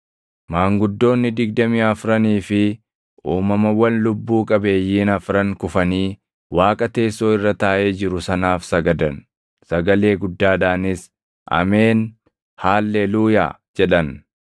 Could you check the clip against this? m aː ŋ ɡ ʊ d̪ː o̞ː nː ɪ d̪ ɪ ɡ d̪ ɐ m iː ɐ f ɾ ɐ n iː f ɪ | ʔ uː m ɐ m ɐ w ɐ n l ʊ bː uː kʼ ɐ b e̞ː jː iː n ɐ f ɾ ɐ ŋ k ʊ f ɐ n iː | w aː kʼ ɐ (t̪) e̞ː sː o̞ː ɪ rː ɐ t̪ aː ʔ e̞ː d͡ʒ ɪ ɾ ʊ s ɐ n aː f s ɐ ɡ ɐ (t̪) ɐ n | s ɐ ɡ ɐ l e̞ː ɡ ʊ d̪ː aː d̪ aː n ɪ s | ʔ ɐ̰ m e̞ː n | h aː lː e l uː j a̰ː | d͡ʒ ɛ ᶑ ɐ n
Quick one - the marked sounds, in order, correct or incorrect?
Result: correct, incorrect

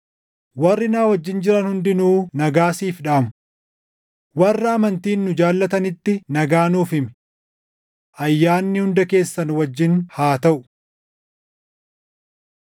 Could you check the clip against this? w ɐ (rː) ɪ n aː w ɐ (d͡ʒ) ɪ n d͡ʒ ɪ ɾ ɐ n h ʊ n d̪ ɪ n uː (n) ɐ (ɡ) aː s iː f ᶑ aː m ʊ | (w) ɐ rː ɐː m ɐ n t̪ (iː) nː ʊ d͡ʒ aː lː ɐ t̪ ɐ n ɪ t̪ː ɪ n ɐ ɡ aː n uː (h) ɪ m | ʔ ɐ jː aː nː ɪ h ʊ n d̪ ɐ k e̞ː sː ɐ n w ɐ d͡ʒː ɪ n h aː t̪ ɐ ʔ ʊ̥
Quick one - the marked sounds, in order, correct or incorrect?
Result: correct, incorrect, correct, correct, correct, correct, incorrect

